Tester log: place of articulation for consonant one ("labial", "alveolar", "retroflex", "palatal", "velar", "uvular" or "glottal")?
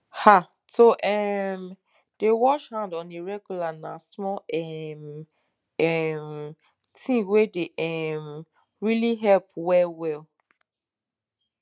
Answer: glottal